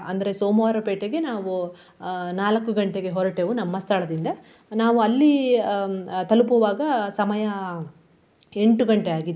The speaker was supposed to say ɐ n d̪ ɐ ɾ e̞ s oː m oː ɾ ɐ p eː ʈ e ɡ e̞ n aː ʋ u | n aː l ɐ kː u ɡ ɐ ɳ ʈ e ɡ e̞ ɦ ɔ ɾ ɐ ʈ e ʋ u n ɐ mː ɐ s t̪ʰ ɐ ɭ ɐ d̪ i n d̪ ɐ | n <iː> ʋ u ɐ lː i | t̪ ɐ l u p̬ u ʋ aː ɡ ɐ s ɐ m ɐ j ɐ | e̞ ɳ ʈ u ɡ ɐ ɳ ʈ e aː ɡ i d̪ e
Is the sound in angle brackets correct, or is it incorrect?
incorrect